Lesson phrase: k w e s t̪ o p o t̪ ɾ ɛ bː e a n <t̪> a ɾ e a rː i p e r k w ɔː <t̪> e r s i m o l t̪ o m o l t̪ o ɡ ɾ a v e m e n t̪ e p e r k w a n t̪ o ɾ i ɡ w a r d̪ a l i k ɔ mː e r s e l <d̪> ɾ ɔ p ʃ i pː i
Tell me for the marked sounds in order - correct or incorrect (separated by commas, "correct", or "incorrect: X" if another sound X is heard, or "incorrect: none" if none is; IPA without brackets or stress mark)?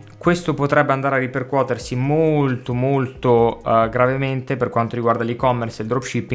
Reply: incorrect: d̪, correct, correct